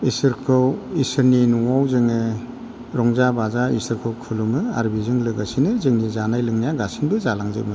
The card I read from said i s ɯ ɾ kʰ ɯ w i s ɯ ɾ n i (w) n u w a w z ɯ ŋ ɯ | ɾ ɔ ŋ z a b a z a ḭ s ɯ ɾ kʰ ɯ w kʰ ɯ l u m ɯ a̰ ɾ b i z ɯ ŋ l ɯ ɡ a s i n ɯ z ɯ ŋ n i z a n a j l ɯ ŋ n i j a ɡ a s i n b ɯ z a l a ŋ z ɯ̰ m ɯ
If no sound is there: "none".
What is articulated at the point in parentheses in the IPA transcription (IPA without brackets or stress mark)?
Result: none